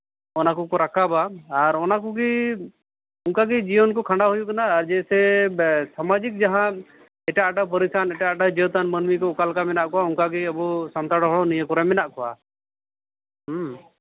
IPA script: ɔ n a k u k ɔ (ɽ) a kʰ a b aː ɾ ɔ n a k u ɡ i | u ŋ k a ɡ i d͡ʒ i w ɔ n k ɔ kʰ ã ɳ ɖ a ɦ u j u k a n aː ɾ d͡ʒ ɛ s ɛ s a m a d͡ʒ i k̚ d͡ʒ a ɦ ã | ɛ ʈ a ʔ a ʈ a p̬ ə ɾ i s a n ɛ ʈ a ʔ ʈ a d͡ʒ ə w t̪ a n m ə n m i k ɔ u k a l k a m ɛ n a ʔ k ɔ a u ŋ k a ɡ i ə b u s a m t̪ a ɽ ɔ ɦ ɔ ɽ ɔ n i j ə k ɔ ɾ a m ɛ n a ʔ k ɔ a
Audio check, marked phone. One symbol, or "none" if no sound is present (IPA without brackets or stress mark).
ɾ